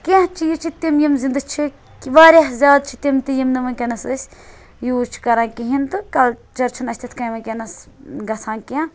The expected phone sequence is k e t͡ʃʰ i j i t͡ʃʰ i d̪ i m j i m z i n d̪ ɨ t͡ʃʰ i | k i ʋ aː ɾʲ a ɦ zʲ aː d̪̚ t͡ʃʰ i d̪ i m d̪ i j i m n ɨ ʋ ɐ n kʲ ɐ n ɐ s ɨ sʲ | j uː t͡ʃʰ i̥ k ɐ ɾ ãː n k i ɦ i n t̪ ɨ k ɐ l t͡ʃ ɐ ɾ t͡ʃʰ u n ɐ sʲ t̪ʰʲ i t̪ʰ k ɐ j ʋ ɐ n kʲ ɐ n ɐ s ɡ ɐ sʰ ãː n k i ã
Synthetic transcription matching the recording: k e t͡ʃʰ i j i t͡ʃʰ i t̪ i m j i m z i n d̪ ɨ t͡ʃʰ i | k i ʋ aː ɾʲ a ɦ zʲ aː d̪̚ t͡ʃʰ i t̪ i m t̪ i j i m n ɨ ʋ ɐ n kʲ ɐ n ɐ s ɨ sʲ | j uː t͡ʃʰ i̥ k ɐ ɾ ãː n k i ɦ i n t̪ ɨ k ɐ l t͡ʃ ɐ ɾ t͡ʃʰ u n ɐ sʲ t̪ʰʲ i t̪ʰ k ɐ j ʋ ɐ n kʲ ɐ n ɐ s ɡ ɐ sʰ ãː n k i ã

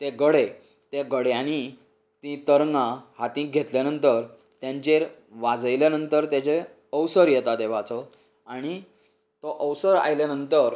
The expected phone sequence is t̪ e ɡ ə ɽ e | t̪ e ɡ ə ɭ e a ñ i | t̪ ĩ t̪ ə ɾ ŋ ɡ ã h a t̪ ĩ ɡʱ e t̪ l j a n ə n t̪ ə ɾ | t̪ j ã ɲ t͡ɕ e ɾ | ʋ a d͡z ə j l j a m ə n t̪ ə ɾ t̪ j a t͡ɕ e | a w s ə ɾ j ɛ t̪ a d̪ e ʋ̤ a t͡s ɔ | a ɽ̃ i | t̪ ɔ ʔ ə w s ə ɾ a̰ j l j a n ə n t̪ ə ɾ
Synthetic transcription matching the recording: t̪ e ɡ ə ɽ e | t̪ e ɡ ə ɽ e a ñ i | t̪ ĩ t̪ ə ɾ ŋ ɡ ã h a t̪ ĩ ɡʱ e t̪ l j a n ə n t̪ ə ɾ | t̪ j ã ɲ t͡ɕ e ɾ | ʋ a d͡z ə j l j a n ə n t̪ ə ɾ t̪ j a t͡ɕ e | ə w s ə ɾ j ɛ t̪ a d̪ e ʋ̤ a t͡s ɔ | a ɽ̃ i | t̪ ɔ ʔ ə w s ə ɾ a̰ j l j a n ə n t̪ ə ɾ

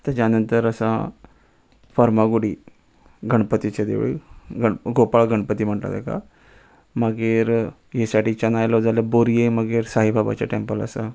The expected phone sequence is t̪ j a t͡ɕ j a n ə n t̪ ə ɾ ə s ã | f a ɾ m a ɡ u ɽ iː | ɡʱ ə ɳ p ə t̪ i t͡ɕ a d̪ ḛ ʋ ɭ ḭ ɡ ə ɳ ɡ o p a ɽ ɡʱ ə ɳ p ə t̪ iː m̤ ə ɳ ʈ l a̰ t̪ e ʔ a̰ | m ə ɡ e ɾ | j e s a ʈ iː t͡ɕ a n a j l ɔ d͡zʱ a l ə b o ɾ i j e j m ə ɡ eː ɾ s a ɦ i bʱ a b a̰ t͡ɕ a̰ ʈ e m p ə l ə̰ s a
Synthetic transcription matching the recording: t̪ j a t͡ɕ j a n ə n t̪ ə ɾ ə s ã | f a ɾ m a ɡ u ɽ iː | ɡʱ ə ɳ p ə t̪ i t͡ɕ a d̪ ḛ ʋ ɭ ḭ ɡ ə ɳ ɡ o p a ɭ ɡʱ ə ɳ p ə t̪ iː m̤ ə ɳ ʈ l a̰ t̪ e k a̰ | m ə ɡ e ɾ | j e s a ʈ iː t͡ɕ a n a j l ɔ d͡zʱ a l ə b o ɾ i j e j m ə ɡ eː ɾ s a ɦ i bʱ a b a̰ t͡ɕ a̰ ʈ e m p ə l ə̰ s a

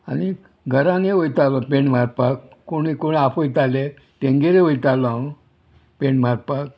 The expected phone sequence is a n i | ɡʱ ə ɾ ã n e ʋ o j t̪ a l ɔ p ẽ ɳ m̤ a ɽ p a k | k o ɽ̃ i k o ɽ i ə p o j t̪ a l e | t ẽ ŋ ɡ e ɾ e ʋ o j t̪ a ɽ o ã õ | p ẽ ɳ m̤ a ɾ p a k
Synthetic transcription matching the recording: a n i | ɡʱ ə ɾ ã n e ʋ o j t̪ a l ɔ p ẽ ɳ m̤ a ɾ p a k | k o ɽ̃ i k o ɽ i a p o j t̪ a l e | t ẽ ŋ ɡ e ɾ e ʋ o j t̪ a l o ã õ | p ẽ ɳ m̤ a ɾ p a k

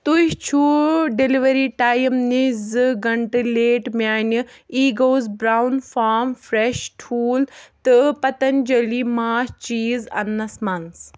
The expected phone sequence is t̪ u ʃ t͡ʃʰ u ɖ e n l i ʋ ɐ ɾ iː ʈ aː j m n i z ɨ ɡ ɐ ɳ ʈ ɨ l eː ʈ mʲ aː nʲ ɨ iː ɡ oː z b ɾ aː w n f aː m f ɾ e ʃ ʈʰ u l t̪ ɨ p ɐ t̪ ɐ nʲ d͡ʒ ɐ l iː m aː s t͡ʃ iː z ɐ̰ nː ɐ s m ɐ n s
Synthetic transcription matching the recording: t̪ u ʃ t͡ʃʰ u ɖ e l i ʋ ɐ ɾ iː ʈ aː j m n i z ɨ ɡ ɐ ɳ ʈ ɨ l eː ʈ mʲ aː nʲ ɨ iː ɡ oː z b ɾ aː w n f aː m f ɾ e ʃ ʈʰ uː l t̪ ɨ p ɐ t̪ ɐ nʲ d͡ʒ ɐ l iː m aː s t͡ʃ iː z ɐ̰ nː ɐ s m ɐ n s

